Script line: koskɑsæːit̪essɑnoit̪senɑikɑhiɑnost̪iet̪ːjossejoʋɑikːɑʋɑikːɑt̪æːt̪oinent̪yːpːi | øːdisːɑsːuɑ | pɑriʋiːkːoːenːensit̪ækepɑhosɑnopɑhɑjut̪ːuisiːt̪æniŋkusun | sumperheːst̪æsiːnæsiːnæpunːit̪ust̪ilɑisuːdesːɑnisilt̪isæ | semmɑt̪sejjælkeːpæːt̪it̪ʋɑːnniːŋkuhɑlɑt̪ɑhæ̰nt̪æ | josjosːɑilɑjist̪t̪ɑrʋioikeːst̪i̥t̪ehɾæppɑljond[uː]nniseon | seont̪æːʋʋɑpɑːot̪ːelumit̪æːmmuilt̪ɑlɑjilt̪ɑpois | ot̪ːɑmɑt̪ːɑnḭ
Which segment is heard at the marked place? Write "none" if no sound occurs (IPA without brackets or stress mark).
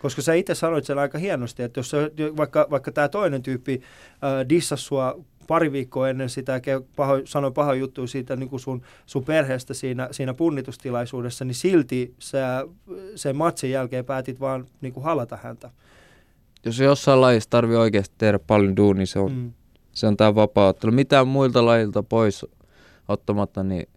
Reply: uː